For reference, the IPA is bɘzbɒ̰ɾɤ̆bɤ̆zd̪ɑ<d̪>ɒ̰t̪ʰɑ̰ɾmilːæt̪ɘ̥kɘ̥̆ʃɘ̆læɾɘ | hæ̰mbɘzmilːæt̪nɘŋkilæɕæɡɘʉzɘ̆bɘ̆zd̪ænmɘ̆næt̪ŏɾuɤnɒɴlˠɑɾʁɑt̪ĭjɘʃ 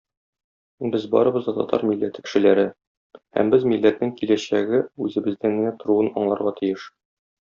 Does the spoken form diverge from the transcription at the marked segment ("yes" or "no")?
yes